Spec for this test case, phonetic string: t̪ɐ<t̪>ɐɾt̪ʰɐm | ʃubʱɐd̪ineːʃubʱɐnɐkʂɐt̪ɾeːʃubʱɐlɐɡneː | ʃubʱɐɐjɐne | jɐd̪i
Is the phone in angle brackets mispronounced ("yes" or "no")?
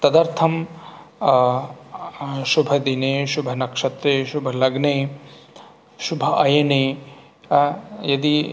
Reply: yes